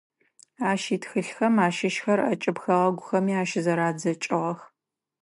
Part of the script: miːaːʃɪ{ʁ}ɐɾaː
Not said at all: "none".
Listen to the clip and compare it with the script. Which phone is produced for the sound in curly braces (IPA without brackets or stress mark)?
z